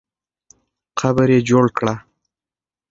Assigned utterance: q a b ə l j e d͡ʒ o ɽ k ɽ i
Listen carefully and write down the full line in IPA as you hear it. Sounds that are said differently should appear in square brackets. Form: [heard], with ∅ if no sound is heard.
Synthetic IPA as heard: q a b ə [ɾ] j e d͡ʒ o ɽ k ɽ [a]